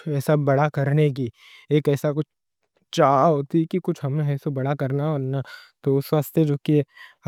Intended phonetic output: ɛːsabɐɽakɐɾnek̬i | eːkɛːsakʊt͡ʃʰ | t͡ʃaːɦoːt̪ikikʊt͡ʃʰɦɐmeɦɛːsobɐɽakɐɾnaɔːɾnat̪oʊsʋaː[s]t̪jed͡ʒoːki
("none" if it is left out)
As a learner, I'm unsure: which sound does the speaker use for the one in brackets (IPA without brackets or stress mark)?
s